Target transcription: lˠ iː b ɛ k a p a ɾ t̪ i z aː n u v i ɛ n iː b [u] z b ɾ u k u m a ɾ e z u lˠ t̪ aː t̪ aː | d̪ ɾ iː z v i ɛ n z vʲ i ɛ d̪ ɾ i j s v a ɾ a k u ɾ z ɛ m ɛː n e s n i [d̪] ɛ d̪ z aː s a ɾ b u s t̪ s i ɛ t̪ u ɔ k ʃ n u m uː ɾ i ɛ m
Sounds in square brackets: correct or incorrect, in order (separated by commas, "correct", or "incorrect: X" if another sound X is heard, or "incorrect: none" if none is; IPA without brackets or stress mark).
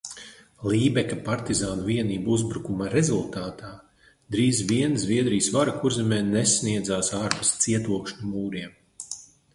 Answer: correct, incorrect: none